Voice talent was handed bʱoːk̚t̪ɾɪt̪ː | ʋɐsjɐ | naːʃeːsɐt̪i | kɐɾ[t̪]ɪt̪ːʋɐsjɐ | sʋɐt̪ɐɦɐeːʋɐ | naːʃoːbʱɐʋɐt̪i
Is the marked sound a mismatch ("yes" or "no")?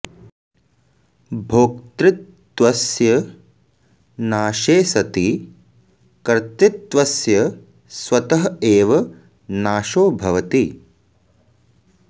no